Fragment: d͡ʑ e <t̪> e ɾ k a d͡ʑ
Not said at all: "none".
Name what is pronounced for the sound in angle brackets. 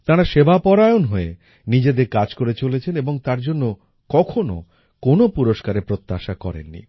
d̪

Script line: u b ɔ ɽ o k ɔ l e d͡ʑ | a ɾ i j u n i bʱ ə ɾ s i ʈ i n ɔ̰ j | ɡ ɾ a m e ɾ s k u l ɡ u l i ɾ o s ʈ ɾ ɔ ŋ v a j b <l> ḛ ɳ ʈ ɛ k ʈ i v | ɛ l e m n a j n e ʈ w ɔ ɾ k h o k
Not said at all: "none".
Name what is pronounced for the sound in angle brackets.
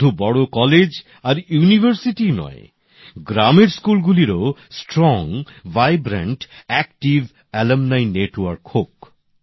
ɾ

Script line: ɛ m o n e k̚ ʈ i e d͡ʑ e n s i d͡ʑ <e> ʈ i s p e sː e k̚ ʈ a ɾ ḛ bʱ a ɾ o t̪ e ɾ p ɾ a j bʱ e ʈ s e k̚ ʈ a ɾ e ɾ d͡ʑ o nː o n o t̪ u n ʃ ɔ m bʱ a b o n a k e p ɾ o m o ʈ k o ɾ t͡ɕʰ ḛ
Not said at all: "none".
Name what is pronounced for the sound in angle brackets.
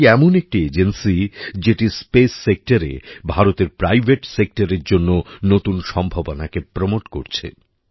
e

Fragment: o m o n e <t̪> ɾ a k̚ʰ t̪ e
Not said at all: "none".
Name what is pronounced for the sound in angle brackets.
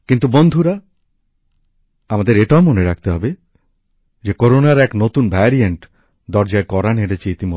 none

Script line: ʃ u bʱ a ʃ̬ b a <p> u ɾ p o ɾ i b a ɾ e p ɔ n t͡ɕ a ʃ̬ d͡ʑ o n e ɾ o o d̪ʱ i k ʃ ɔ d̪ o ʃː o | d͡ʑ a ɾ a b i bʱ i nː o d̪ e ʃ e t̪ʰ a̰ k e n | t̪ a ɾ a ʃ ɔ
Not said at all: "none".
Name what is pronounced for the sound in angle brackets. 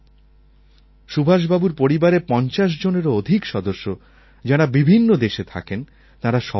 b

